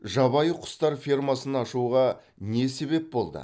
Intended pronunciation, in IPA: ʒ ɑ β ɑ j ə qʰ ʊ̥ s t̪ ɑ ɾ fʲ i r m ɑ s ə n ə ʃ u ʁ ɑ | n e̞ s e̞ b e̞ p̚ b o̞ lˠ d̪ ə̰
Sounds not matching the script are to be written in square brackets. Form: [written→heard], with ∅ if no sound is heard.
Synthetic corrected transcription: ʒ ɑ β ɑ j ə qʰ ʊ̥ s t̪ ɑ ɾ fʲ i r m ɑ s ə n [ə→ɑ] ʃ u ʁ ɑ | n e̞ s e̞ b e̞ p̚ b o̞ lˠ d̪ ə̰